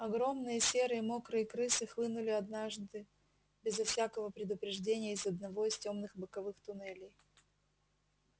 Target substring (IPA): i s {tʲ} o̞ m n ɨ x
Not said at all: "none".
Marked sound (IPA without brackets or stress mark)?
tʲ